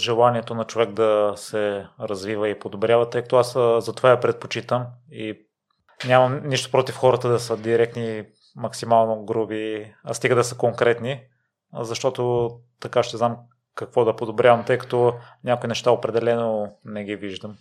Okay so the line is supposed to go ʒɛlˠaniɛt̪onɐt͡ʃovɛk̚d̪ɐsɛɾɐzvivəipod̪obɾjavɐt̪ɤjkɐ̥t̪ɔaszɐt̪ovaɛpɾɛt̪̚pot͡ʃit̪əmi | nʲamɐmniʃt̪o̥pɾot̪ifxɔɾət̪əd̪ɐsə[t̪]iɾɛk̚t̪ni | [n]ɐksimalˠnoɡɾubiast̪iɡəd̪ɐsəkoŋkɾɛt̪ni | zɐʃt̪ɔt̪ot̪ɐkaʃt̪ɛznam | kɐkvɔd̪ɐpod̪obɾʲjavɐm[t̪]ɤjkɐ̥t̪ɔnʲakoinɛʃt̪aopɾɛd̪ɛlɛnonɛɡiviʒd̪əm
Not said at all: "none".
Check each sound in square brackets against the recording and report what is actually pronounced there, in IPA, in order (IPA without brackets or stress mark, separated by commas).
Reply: d̪, m, t̪